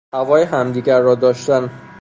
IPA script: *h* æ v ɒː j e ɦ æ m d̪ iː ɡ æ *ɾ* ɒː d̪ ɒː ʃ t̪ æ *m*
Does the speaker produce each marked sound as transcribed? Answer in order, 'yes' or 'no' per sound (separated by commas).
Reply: yes, no, no